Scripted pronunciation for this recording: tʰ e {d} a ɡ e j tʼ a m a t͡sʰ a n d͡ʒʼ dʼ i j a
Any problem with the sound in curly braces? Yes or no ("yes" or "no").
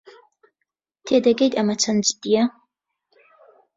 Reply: no